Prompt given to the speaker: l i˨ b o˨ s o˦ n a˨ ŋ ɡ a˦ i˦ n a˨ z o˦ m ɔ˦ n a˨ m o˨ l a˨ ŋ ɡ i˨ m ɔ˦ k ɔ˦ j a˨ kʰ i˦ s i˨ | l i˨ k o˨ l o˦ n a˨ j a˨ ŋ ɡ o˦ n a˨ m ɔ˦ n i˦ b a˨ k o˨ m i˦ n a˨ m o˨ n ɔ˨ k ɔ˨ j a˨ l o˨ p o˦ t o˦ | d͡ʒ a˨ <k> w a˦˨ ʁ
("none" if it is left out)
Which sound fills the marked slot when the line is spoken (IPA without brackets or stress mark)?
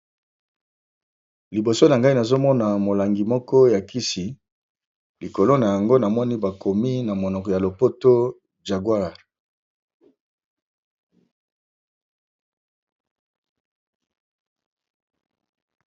ɡ